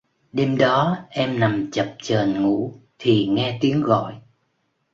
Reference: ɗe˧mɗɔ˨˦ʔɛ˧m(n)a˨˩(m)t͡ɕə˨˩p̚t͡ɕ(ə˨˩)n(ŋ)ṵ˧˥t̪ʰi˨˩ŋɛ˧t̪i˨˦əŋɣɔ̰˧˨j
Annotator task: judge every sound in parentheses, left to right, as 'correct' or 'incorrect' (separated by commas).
correct, correct, incorrect, correct